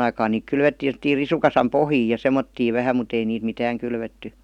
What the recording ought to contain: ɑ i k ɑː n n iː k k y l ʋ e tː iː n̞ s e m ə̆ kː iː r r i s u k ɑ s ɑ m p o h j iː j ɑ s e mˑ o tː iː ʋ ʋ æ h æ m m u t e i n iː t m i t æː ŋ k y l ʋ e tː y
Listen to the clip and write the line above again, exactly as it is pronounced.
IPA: ɑ i k ɑː n n iː k k y l ʋ e tː iː n̞ s e m ə̆ tː iː r r i s u k ɑ s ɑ m p o h j iː j ɑ s e mˑ o tː iː ʋ ʋ æ h æ m m u t e i n iː t m i t æː ŋ k y l ʋ e tː y